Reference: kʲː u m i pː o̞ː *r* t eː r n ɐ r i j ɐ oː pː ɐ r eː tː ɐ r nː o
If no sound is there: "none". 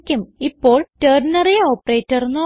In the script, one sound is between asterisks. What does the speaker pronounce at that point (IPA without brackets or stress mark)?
ɭ